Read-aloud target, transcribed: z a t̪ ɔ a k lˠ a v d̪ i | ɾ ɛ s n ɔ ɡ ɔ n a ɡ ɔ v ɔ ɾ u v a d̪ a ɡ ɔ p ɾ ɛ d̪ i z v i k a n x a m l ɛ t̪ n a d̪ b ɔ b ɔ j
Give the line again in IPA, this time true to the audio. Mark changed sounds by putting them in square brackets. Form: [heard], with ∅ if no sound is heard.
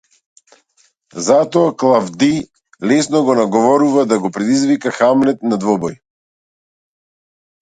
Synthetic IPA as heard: z a t̪ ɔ a k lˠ a v d̪ i | [l] ɛ s n ɔ ɡ ɔ n a ɡ ɔ v ɔ ɾ u v a d̪ a ɡ ɔ p ɾ ɛ d̪ i z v i k a [∅] x a m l ɛ t̪ n a d̪ [v] ɔ b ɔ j

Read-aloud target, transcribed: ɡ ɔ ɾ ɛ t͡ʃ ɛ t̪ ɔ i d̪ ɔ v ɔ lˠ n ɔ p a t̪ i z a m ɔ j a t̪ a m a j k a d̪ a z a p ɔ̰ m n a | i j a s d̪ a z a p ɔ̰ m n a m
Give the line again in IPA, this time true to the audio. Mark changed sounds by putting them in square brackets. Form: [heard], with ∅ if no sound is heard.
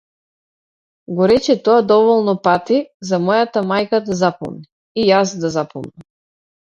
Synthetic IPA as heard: ɡ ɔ ɾ ɛ t͡ʃ ɛ t̪ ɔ [a] d̪ ɔ v ɔ lˠ n ɔ p a t̪ i z a m ɔ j a t̪ a m a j k a d̪ a z a p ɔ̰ m n [i] | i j a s d̪ a z a p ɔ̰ m n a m

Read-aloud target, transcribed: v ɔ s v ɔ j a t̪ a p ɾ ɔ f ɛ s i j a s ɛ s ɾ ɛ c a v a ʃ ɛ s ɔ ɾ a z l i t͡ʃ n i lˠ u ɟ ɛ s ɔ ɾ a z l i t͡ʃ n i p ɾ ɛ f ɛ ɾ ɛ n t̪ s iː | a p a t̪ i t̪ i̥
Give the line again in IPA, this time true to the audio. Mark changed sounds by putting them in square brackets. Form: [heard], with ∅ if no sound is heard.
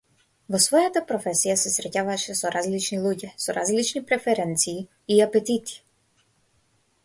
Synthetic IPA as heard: v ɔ s v ɔ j a t̪ a p ɾ ɔ f ɛ s i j a s ɛ s ɾ ɛ c a v a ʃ ɛ s ɔ ɾ a z l i t͡ʃ n i lˠ u ɟ ɛ s ɔ ɾ a z l i t͡ʃ n i p ɾ ɛ f ɛ ɾ ɛ n t̪ s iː | a p [ɛ] t̪ i t̪ i̥

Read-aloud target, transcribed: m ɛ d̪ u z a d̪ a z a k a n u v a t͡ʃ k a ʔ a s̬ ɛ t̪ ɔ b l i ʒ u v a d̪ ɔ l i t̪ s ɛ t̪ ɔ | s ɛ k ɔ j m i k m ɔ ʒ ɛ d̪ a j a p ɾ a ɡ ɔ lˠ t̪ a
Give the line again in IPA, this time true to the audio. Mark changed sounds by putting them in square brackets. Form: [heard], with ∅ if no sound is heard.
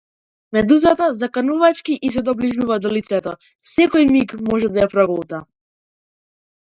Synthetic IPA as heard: m ɛ d̪ u z a [t̪] a z a k a n u v a t͡ʃ k [i] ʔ [i] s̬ ɛ [d̪] ɔ b l i ʒ u v a d̪ ɔ l i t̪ s ɛ t̪ ɔ | s ɛ k ɔ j m i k m ɔ ʒ ɛ d̪ a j a p ɾ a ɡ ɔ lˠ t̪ a

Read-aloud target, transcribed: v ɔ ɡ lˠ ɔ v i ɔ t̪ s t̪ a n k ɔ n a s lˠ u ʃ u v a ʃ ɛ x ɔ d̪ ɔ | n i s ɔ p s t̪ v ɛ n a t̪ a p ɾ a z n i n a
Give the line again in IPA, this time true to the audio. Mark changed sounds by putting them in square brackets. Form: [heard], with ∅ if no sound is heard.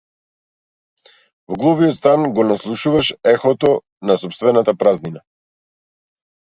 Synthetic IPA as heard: v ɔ ɡ lˠ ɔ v i ɔ t̪ s t̪ a n [ɡ] ɔ n a s lˠ u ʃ u v a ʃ ɛ x ɔ [t̪] ɔ | n [a] s ɔ p s t̪ v ɛ n a t̪ a p ɾ a z n i n a

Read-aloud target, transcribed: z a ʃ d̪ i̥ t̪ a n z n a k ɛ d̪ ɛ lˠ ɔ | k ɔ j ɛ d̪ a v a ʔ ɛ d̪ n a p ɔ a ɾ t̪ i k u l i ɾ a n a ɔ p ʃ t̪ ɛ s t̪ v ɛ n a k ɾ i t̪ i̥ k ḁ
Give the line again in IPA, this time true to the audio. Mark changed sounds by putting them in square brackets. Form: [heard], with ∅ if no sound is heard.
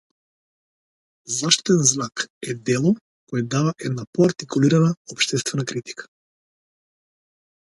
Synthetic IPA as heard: z a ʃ [t̪] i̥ t̪ [ɛ] n z n a k ɛ d̪ ɛ lˠ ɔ | k ɔ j ɛ d̪ a v a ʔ ɛ d̪ n a p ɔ a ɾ t̪ i k u l i ɾ a n a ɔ p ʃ t̪ ɛ s t̪ v ɛ n a k ɾ i t̪ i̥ k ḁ

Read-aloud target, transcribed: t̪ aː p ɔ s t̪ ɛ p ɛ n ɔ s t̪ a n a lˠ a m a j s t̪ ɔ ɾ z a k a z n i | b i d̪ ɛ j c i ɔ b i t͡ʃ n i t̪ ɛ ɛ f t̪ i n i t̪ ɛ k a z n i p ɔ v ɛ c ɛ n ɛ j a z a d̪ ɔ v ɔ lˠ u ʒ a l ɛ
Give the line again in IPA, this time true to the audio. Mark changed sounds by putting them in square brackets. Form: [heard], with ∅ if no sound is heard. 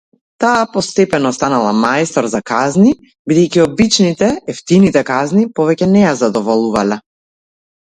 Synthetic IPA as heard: t̪ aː p ɔ s t̪ ɛ p ɛ n ɔ s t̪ a n a lˠ a m a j s t̪ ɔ ɾ z a k a z n i | b i d̪ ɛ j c i ɔ b i t͡ʃ n i t̪ ɛ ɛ f t̪ i n i t̪ ɛ k a z n i p ɔ v ɛ c ɛ n ɛ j a z a d̪ ɔ v ɔ lˠ u [v] a l ɛ

